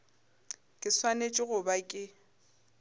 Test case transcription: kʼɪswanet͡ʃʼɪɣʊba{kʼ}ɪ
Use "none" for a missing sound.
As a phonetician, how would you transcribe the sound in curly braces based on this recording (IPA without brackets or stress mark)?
kʼ